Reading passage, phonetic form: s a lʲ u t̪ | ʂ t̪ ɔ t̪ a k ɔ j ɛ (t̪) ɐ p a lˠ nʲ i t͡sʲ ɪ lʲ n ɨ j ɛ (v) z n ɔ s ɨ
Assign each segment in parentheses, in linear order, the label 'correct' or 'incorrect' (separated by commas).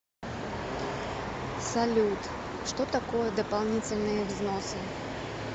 incorrect, correct